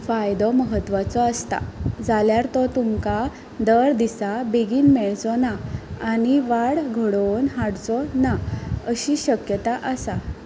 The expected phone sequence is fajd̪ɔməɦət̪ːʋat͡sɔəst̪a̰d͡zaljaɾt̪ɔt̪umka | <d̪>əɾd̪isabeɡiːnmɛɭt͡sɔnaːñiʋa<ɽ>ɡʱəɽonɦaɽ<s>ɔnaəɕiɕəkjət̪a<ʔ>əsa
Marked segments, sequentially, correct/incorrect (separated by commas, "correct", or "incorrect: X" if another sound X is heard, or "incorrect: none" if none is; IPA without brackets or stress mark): correct, correct, incorrect: t͡s, correct